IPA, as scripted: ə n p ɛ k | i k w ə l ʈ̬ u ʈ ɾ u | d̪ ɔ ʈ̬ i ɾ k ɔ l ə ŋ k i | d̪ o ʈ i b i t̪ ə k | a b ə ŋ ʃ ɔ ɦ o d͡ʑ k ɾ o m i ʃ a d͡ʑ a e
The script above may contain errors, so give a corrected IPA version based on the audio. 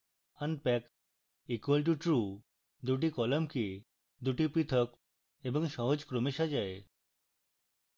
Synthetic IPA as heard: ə n p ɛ k | i k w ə l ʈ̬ u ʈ ɾ u | d̪ u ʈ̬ i k ɔ l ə m k i | d̪ u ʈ i p i t̪ʰ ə k | e b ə ŋ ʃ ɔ ɦ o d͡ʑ k ɾ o m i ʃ a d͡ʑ a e